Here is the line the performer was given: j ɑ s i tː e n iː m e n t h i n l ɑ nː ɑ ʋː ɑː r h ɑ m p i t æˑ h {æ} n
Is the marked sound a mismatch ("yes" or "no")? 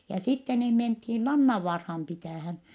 no